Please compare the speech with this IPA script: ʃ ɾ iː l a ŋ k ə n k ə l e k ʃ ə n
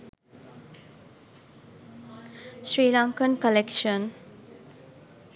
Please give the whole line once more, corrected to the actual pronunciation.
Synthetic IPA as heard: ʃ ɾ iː l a ŋ k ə n k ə l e k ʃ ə n